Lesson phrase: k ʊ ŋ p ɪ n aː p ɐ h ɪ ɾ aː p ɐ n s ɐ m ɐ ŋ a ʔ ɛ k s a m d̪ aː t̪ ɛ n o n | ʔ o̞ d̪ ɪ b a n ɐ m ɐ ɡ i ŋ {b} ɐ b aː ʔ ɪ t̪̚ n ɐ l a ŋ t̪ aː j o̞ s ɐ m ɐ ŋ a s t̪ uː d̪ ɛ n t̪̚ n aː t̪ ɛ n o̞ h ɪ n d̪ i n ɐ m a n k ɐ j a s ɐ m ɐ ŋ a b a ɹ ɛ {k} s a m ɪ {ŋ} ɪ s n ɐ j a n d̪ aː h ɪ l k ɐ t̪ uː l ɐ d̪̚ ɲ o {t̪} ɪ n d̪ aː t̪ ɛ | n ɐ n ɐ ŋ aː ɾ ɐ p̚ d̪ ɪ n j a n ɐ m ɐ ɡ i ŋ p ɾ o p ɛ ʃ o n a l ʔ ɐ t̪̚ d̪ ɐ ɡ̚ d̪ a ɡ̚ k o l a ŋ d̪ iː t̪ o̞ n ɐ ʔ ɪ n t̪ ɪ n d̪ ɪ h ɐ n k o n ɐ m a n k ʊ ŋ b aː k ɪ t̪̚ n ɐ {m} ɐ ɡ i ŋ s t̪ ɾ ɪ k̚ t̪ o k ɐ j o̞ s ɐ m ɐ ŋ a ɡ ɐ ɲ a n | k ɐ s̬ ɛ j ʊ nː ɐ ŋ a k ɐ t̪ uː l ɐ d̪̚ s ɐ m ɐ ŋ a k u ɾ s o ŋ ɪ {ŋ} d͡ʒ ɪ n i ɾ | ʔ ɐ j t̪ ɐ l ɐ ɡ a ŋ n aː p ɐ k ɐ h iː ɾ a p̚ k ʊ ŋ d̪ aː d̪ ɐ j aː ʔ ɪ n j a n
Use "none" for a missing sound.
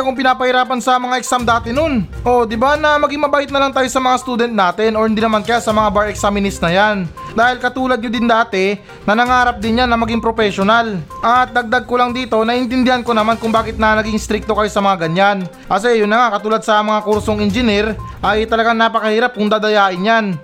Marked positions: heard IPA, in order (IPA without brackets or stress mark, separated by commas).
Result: m, k, n, d̪, n, n